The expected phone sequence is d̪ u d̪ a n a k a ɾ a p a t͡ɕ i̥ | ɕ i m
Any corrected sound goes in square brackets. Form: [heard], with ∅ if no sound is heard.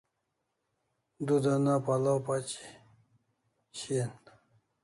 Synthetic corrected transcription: d̪ u d̪ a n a [p] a [l] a p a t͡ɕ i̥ | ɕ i [n]